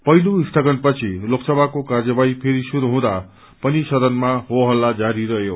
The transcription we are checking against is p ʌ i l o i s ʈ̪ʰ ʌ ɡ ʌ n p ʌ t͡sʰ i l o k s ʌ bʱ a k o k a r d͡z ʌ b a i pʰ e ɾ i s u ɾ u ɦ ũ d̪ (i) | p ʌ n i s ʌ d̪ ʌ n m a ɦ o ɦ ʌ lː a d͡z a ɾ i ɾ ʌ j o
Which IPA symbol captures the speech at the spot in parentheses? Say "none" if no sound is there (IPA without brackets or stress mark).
a